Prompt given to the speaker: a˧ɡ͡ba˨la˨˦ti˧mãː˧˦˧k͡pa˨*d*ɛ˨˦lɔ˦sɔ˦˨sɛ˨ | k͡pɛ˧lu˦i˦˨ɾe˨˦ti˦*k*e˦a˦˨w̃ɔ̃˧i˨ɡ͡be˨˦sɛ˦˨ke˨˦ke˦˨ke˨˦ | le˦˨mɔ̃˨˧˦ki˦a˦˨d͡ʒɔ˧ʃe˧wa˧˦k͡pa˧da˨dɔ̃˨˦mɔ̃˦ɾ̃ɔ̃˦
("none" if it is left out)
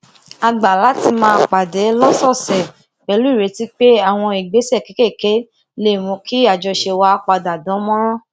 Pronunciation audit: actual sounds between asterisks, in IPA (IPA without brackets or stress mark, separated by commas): d, k͡p